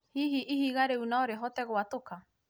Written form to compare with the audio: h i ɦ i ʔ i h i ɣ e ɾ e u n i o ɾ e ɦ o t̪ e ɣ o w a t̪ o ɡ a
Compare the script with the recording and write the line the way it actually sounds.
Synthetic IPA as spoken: h i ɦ i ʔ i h i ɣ a ɾ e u n a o ɾ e ɦ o t̪ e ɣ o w a t̪ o k a